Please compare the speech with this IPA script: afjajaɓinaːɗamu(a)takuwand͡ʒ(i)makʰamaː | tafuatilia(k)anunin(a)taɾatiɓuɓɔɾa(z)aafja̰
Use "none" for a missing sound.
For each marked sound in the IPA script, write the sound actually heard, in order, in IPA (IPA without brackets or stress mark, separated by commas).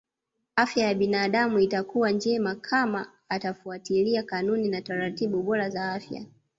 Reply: i, ɛ, k, a, z